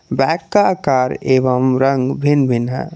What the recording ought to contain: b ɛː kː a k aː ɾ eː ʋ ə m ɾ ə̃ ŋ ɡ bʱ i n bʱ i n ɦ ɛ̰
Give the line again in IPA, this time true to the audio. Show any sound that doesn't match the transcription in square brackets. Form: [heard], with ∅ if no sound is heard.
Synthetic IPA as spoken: b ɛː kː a k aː ɾ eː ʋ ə m ɾ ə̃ ŋ ɡ bʱ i n bʱ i n ɦ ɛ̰

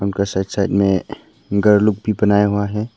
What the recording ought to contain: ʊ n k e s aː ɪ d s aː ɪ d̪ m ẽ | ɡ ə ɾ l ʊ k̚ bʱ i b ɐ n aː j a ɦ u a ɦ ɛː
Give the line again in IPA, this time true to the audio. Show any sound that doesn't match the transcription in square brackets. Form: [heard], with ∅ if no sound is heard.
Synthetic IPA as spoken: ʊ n k [a] s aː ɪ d s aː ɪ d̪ m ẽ | ɡ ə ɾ l ʊ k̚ bʱ i b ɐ n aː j a ɦ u a ɦ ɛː

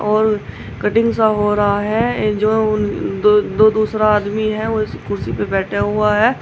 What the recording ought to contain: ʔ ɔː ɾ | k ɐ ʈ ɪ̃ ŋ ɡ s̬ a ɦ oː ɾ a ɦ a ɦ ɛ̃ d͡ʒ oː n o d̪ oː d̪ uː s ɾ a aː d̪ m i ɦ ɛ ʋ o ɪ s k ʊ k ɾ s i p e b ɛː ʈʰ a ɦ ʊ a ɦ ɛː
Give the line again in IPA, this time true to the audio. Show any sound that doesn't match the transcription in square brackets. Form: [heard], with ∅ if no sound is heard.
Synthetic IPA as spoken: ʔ ɔː ɾ | k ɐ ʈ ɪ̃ ŋ ɡ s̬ a ɦ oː ɾ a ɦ a ɦ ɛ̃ d͡ʒ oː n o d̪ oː d̪ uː s ɾ a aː d̪ m i ɦ ɛ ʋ o ɪ s k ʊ [∅] ɾ s i p e b ɛː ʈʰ a ɦ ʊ a ɦ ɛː

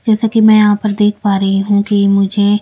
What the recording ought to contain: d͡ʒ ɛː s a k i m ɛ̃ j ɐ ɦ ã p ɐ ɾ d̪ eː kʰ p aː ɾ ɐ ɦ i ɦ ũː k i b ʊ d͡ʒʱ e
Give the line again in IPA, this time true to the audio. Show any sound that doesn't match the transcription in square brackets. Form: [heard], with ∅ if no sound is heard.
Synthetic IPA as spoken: d͡ʒ ɛː s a k i m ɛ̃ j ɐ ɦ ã p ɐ ɾ d̪ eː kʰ p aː ɾ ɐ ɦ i ɦ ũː k i [m] ʊ d͡ʒʱ e

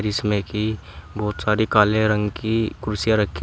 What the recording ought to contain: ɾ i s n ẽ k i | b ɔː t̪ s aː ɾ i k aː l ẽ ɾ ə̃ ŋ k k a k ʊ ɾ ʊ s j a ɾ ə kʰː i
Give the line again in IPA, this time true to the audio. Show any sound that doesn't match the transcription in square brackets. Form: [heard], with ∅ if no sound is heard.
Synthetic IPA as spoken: ɾ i s [m] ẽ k i | b ɔː t̪ s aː ɾ i k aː l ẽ ɾ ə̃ ŋ [ɡ] k [i] k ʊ ɾ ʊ s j a ɾ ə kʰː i

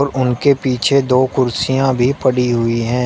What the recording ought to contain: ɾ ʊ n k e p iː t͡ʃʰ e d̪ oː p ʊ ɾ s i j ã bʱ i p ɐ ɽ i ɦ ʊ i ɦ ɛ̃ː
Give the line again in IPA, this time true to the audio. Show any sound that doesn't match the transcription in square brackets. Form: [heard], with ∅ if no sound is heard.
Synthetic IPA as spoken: ɾ ʊ n k e p iː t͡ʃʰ e d̪ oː [k] ʊ ɾ s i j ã bʱ i p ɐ ɽ i ɦ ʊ i ɦ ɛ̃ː

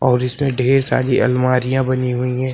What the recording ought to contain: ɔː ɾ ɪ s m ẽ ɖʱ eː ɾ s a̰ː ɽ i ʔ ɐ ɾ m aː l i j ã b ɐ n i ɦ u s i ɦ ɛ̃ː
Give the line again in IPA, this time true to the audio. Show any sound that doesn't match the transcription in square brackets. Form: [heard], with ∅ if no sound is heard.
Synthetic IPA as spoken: ɔː ɾ ɪ s m ẽ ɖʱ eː ɾ s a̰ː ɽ i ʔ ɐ [l] m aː [ɾ] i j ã b ɐ n i ɦ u [∅] i ɦ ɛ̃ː

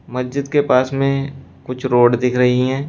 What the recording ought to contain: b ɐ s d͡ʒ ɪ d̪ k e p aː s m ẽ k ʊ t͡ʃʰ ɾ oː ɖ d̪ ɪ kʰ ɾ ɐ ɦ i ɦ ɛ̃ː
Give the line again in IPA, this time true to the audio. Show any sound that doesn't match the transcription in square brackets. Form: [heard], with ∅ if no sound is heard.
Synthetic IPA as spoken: [m] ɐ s d͡ʒ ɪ d̪ k e p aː s m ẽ k ʊ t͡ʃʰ ɾ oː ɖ d̪ ɪ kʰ ɾ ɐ ɦ i ɦ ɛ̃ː

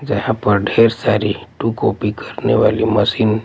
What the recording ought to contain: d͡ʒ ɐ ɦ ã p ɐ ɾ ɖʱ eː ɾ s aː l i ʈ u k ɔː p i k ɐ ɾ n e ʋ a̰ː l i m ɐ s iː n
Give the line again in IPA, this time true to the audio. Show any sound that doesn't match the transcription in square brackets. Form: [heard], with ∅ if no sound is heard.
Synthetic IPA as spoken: d͡ʒ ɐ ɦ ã p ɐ ɾ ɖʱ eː ɾ s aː [ɾ] i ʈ u k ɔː p i k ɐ ɾ n e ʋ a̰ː l i m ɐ s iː n

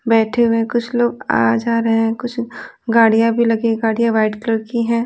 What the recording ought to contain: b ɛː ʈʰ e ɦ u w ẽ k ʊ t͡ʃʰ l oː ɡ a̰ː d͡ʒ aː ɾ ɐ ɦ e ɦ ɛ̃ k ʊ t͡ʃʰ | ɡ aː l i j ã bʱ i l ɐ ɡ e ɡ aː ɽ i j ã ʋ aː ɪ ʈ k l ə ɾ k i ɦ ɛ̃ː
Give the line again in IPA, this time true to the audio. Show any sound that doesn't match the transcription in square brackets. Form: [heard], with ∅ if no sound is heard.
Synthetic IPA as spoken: b ɛː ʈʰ e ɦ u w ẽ k ʊ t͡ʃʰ l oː ɡ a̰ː d͡ʒ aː ɾ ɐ ɦ e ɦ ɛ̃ k ʊ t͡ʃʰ | ɡ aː [ɽ] i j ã bʱ i l ɐ ɡ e ɡ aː ɽ i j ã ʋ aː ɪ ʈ k l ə ɾ k i ɦ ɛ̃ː

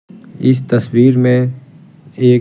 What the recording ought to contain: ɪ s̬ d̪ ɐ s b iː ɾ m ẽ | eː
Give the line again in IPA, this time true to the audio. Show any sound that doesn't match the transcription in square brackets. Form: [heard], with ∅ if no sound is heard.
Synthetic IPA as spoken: ɪ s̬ [t̪] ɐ s [w] iː ɾ m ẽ | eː

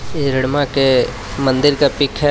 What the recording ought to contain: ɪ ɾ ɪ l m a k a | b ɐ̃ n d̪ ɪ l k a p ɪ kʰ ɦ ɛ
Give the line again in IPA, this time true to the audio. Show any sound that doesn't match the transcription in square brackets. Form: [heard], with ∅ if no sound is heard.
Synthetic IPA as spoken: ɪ ɾ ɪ [ɽ] m a k [e] | [m] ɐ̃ n d̪ ɪ [ɾ] k a p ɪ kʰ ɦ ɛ

